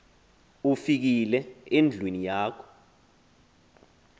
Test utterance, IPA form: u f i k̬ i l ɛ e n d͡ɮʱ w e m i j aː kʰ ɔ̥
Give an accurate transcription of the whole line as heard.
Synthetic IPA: u f i k̬ i l ɛ e n d͡ɮʱ w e n i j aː kʰ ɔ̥